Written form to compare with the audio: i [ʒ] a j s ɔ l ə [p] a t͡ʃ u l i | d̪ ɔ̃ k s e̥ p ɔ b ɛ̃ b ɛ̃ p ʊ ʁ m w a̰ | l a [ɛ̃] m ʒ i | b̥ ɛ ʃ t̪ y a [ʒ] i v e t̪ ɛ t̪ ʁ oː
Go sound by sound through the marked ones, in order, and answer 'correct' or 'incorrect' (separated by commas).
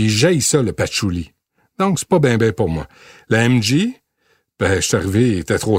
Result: correct, correct, incorrect, incorrect